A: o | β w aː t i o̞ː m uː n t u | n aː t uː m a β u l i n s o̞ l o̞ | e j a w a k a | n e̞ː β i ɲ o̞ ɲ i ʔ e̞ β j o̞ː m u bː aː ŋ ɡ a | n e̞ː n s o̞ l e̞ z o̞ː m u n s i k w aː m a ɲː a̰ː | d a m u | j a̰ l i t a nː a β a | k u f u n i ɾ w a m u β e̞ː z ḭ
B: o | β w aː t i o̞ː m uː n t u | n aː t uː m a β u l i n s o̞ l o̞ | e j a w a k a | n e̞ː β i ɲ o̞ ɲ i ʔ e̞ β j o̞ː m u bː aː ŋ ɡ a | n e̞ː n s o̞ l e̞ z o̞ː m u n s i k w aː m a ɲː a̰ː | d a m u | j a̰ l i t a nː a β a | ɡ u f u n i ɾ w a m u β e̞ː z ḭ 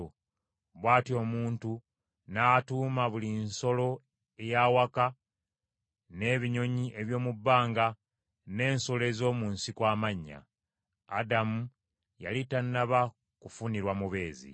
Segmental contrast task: A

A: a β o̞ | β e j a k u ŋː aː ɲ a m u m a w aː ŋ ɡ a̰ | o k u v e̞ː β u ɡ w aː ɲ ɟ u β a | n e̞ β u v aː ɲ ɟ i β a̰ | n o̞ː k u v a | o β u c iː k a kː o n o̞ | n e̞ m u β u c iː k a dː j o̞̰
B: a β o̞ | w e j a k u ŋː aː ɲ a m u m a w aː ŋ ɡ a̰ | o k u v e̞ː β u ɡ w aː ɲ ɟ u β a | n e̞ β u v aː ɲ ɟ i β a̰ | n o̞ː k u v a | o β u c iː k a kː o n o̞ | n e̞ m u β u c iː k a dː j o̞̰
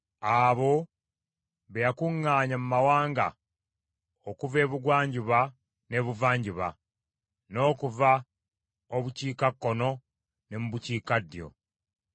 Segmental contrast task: A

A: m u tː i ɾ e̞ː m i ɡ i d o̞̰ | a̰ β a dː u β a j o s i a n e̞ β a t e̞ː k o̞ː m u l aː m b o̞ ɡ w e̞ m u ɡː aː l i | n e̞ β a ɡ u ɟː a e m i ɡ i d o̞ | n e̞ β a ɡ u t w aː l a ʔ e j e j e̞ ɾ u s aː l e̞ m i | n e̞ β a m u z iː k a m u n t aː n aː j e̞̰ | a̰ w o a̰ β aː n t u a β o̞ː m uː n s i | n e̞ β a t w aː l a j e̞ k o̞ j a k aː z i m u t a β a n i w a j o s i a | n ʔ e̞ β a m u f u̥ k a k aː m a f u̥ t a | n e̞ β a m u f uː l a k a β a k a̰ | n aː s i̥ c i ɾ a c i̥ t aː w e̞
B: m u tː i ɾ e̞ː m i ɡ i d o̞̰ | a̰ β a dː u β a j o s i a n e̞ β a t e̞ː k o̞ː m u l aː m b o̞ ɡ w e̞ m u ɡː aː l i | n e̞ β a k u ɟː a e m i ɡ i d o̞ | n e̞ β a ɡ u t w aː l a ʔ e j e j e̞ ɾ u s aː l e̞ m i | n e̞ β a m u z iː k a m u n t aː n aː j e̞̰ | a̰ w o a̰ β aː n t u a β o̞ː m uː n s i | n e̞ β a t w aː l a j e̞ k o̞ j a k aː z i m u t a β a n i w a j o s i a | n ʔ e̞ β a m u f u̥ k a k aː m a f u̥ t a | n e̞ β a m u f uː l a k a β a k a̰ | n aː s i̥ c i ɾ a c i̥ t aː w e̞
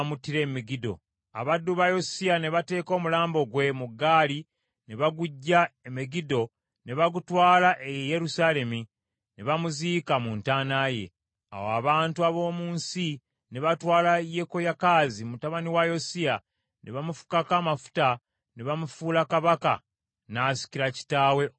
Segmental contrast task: A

